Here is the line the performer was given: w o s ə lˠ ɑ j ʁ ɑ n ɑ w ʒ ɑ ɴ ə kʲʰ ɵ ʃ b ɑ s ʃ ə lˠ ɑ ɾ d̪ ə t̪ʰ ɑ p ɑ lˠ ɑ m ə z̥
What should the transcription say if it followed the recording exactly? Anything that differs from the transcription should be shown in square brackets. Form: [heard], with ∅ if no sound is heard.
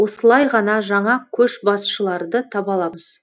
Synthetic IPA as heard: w o s ə lˠ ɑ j ʁ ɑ n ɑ [∅] ʒ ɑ ɴ [ɑ] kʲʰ ɵ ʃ b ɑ s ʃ ə lˠ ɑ ɾ d̪ ə t̪ʰ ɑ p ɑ lˠ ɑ m ə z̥